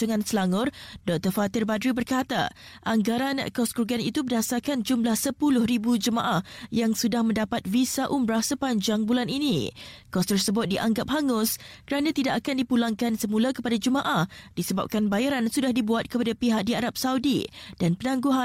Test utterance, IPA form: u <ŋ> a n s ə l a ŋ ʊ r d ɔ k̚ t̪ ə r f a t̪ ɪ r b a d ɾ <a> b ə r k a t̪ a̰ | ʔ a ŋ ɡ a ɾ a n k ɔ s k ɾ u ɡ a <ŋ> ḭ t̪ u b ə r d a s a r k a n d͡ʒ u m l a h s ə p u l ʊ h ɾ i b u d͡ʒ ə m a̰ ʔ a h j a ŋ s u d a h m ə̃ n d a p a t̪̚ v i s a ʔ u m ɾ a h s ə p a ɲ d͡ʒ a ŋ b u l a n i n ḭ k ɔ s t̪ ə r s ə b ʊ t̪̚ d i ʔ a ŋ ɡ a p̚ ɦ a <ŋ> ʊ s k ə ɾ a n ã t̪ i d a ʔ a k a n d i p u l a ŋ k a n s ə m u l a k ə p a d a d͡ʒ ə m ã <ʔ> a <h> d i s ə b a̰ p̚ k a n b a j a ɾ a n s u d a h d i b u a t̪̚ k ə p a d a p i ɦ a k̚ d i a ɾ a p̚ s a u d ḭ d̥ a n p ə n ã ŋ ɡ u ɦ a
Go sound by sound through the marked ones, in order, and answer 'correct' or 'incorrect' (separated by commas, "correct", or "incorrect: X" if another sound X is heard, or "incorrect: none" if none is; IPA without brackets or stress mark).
correct, incorrect: i, incorrect: n, correct, correct, correct